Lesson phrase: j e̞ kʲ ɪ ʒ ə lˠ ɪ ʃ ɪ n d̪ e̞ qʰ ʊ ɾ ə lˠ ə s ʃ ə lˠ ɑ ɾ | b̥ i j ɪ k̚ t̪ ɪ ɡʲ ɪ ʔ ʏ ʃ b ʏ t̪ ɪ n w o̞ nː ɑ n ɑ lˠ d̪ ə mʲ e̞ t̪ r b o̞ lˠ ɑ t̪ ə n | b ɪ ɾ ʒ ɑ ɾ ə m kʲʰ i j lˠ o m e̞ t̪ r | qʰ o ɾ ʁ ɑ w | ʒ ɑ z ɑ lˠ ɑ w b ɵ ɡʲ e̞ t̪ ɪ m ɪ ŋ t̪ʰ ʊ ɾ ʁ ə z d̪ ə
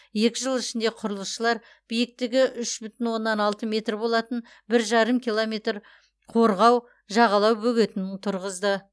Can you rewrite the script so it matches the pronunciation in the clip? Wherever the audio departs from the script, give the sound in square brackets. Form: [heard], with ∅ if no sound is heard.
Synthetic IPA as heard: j e̞ kʲ ɪ ʒ ə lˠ ɪ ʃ ɪ n d̪ e̞ qʰ ʊ ɾ ə lˠ ə s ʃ ə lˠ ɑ ɾ | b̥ i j ɪ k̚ t̪ ɪ ɡʲ ɪ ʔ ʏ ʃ b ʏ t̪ ɪ n w o̞ nː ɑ n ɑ lˠ [t̪] ə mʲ e̞ t̪ r b o̞ lˠ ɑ t̪ ə n | b ɪ ɾ ʒ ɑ ɾ ə m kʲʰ i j lˠ o m e̞ t̪ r | qʰ o ɾ ʁ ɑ w | ʒ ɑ [ʁ] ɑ lˠ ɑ w b ɵ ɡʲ e̞ t̪ ɪ [n] ɪ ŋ t̪ʰ ʊ ɾ ʁ ə z d̪ ə

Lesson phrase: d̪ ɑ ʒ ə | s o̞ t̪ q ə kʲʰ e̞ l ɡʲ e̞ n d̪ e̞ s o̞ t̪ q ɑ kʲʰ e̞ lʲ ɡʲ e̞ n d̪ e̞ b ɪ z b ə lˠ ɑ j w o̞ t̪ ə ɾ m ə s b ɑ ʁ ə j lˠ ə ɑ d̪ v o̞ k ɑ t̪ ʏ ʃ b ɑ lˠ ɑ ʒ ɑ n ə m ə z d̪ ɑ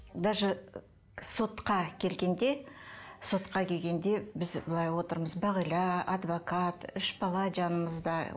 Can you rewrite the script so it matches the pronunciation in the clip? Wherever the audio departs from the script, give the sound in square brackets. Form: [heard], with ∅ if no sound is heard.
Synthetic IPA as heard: d̪ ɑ ʒ ə | s o̞ t̪ q [ɑ] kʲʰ e̞ l ɡʲ e̞ n d̪ e̞ s o̞ t̪ q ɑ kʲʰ e̞ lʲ ɡʲ e̞ n d̪ e̞ b ɪ z b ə lˠ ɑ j w o̞ t̪ ə ɾ m ə [z] b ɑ ʁ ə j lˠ [ɑ] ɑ d̪ v o̞ k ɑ t̪ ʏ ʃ b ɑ lˠ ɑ ʒ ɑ n ə m ə z d̪ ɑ

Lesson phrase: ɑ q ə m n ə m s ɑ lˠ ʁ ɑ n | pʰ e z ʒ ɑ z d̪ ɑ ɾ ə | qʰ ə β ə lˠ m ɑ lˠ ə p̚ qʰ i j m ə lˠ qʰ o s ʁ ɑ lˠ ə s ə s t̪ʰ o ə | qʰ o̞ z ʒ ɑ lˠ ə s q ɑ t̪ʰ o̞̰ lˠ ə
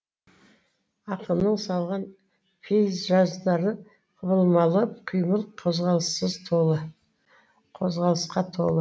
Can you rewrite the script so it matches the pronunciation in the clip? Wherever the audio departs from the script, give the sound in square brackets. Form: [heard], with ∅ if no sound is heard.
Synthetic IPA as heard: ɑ q ə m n ə [ɴ] s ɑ lˠ ʁ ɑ n | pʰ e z ʒ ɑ z d̪ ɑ ɾ ə | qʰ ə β ə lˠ m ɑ lˠ ə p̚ qʰ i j m ə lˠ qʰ o [z] ʁ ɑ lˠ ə s ə [z] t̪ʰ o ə | qʰ o̞ z [ʁ] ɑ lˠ ə s q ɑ t̪ʰ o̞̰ lˠ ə

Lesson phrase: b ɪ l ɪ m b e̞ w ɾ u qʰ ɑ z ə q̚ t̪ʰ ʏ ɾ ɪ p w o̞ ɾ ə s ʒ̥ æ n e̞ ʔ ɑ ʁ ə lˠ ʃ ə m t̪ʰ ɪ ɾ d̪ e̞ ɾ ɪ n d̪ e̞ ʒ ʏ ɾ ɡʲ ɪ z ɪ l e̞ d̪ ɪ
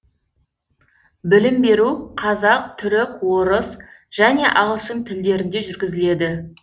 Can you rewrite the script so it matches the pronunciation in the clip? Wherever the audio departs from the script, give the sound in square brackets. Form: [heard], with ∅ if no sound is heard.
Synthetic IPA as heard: b ɪ l ɪ m b e̞ [∅] ɾ u qʰ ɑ z [ɑ] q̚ t̪ʰ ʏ ɾ ɪ [k] w o̞ ɾ ə s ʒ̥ æ n e̞ ʔ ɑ ʁ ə lˠ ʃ ə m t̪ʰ ɪ [l] d̪ e̞ ɾ ɪ n d̪ e̞ ʒ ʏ ɾ ɡʲ ɪ z ɪ l e̞ d̪ ɪ

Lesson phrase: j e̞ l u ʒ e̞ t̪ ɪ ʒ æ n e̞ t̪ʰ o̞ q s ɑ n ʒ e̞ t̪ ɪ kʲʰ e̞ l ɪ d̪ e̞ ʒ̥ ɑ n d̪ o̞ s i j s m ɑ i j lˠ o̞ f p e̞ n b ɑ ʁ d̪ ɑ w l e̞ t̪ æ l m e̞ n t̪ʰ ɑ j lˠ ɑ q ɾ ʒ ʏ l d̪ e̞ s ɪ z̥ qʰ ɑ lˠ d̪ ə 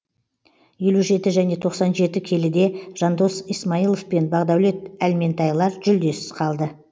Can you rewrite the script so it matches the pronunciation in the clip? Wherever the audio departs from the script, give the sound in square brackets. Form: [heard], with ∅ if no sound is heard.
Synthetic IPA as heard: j e̞ l u ʒ e̞ t̪ ɪ ʒ æ n e̞ t̪ʰ o̞ q s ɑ n ʒ e̞ t̪ ɪ kʲʰ e̞ l ɪ d̪ e̞ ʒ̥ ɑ n d̪ o̞ s i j s m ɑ i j lˠ o̞ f p e̞ n b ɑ ʁ d̪ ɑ w l e̞ t̪ æ l m e̞ n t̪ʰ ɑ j lˠ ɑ [∅] ɾ ʒ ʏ l d̪ e̞ s ɪ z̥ qʰ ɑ lˠ d̪ ə

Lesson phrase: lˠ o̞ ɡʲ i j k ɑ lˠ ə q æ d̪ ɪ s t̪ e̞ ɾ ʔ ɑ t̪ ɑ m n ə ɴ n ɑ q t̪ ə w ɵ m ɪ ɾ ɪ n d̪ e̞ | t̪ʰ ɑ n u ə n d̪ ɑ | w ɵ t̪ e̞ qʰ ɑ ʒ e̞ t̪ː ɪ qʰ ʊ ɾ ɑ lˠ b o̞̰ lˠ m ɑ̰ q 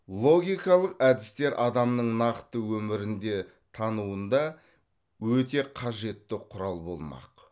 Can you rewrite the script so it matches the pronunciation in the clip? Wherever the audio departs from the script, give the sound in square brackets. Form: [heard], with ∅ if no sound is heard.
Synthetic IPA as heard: lˠ o̞ ɡʲ i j k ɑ lˠ ə q æ d̪ ɪ s t̪ e̞ ɾ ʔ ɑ [d̪] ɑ m n ə ɴ n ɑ q t̪ ə w ɵ m ɪ ɾ ɪ n d̪ e̞ | t̪ʰ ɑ n u ə n d̪ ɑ | w ɵ t̪ e̞ qʰ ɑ ʒ e̞ t̪ː ɪ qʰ ʊ ɾ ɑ lˠ b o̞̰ lˠ m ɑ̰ q

